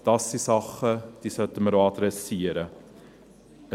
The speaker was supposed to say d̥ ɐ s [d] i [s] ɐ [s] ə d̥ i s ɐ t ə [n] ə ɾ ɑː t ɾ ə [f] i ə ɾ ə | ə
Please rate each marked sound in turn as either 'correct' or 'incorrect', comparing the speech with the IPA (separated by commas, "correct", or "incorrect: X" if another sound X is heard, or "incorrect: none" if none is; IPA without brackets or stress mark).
correct, correct, incorrect: χ, incorrect: m, incorrect: s